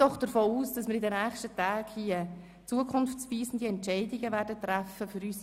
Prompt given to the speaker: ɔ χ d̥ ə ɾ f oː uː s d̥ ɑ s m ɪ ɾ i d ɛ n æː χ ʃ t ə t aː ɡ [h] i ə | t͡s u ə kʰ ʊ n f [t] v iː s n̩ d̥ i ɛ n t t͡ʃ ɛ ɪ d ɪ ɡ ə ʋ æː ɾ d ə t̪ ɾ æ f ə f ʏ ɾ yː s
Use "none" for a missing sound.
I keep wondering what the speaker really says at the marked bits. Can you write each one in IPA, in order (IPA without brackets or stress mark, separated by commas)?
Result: h, t͡s